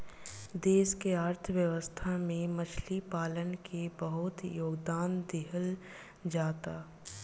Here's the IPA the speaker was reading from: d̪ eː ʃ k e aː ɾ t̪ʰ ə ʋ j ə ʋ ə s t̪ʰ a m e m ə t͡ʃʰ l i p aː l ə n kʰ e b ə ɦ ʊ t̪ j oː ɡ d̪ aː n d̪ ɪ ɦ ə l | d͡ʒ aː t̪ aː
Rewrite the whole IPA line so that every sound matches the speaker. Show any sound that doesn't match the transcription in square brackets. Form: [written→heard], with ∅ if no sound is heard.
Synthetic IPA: d̪ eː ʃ k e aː ɾ t̪ʰ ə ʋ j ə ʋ ə s t̪ʰ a m [e→ẽ] m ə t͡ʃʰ l i p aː l ə n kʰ e b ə ɦ ʊ t̪ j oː ɡ d̪ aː n d̪ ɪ ɦ ə l | d͡ʒ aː t̪ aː